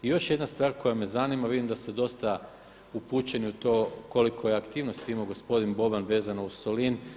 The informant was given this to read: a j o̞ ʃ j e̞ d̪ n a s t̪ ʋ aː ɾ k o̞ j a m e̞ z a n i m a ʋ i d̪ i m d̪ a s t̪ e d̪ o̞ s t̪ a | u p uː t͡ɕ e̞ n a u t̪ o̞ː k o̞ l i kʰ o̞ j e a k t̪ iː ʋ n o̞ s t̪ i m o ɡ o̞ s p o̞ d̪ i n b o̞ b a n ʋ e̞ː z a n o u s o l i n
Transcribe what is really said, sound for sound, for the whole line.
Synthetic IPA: i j o̞ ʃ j e̞ d̪ n a s t̪ ʋ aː ɾ k o̞ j a m e̞ z a n i m a ʋ i d̪ i m d̪ a s t̪ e d̪ o̞ s t̪ a | u p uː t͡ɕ e̞ n i u t̪ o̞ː k o̞ l i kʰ o̞ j e a k t̪ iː ʋ n o̞ s t̪ i m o ɡ o̞ s p o̞ d̪ i n b o̞ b a n ʋ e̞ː z a n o u s o l i n